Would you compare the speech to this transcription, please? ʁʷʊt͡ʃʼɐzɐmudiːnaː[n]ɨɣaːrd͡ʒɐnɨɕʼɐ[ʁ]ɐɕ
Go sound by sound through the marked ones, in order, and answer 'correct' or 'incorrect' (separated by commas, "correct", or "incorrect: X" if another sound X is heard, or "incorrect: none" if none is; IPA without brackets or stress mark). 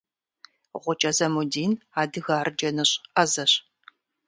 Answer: incorrect: d, incorrect: z